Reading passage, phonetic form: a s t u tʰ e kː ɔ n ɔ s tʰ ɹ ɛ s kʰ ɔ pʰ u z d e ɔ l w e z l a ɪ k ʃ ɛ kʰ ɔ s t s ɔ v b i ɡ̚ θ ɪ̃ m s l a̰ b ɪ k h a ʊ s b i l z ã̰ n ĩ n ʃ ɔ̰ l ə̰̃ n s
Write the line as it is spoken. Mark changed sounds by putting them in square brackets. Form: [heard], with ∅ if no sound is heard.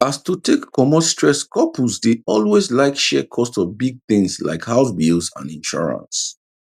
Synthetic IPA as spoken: a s t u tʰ e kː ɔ [m] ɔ s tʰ ɹ ɛ s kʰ ɔ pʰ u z d e ɔ l w e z l a ɪ k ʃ ɛ kʰ ɔ s t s ɔ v b i ɡ̚ θ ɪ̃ [ŋ] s l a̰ [∅] ɪ k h a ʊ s b i l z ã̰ n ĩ n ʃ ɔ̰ [ɹ] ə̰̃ n s